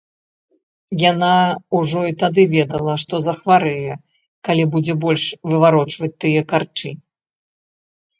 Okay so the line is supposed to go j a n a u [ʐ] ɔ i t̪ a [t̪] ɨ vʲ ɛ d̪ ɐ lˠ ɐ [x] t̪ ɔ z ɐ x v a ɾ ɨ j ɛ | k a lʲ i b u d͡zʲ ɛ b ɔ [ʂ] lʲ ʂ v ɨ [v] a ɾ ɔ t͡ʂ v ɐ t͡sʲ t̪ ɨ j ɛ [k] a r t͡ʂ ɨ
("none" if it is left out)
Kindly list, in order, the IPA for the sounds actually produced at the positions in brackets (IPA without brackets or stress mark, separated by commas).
ʐ, d̪, ʂ, none, v, k